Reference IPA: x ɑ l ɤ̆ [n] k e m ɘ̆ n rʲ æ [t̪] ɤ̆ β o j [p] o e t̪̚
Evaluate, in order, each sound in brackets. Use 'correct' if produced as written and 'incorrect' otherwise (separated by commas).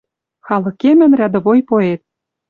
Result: incorrect, incorrect, correct